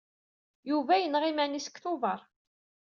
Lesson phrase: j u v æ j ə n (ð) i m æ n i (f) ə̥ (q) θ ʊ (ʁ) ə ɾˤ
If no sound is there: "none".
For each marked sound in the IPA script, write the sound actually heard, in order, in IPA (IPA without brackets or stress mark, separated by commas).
ʁ, s, k, v